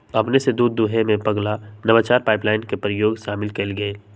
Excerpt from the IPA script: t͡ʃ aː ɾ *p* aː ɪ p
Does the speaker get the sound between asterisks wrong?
no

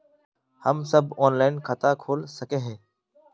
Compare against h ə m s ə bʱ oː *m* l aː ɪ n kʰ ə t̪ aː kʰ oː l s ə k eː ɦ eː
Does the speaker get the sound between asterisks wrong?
yes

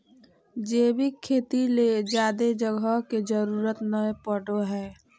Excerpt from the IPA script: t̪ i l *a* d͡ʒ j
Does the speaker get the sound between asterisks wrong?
yes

